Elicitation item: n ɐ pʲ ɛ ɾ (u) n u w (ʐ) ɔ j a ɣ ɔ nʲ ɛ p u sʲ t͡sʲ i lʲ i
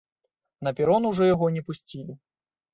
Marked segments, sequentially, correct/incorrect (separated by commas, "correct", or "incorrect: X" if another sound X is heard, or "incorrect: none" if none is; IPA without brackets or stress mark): incorrect: ɔ, correct